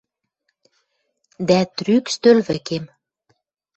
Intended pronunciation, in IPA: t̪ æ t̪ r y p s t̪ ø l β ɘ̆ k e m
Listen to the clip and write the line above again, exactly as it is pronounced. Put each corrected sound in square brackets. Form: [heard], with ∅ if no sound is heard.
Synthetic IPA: [d̪] æ t̪ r y [k] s t̪ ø l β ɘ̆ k e m